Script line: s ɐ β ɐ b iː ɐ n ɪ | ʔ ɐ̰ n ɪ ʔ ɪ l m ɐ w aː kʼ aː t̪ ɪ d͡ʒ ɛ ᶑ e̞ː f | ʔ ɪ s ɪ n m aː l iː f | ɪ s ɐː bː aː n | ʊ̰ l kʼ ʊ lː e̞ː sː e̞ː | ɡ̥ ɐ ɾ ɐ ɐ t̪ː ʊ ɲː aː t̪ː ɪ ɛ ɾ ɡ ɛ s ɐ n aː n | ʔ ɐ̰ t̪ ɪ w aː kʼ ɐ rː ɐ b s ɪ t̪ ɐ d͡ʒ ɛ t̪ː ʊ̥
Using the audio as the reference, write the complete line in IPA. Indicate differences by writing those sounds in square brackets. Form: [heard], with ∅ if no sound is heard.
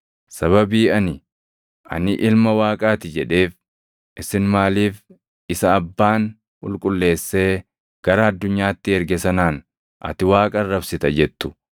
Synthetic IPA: s ɐ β ɐ b iː ɐ n ɪ | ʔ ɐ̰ n ɪ ʔ ɪ l m ɐ w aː kʼ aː t̪ ɪ d͡ʒ ɛ ᶑ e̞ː f | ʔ ɪ s ɪ n m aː l iː f | ɪ s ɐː bː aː n | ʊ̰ l kʼ ʊ lː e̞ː sː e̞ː | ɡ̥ ɐ ɾ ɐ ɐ [d̪ː] ʊ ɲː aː t̪ː ɪ ɛ ɾ ɡ ɛ s ɐ n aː n | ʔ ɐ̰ t̪ ɪ w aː kʼ ɐ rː ɐ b s ɪ t̪ ɐ d͡ʒ ɛ t̪ː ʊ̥